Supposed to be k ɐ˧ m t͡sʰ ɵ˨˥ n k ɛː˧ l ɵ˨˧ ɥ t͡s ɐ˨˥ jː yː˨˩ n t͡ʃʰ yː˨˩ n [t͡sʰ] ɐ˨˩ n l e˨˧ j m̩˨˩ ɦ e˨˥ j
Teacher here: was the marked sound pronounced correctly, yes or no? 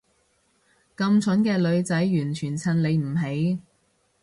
yes